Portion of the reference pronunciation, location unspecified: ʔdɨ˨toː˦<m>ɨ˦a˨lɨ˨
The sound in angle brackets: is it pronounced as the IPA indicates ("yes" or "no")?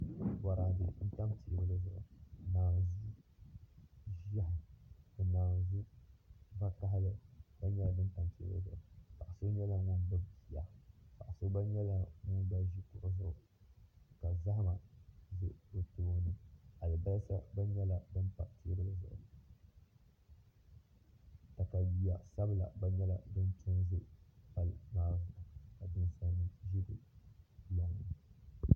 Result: no